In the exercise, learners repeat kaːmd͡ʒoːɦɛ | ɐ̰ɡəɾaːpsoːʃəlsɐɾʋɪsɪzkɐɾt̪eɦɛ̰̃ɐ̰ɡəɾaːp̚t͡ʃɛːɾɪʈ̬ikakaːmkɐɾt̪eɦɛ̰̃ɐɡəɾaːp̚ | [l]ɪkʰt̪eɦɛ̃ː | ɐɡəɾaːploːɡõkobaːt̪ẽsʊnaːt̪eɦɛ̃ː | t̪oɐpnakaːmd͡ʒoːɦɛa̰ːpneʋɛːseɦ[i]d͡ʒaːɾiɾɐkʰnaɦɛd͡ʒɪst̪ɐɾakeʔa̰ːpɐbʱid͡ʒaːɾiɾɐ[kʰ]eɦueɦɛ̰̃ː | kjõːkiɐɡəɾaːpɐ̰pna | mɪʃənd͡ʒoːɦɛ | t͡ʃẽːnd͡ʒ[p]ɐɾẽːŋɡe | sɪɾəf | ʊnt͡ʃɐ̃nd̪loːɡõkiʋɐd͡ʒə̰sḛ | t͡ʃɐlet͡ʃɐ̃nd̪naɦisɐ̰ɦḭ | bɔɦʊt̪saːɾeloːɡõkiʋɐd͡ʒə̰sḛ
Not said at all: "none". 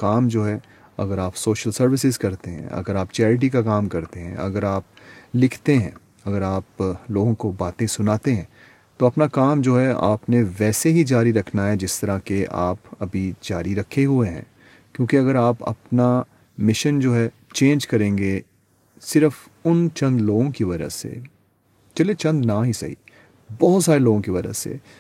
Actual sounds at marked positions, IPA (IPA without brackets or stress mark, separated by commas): l, i, kʰ, k